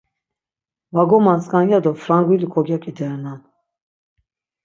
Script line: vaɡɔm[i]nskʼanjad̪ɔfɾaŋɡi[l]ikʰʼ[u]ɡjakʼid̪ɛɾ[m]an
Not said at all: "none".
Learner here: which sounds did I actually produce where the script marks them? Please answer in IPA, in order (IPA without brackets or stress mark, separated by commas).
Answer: a, l, ɔ, n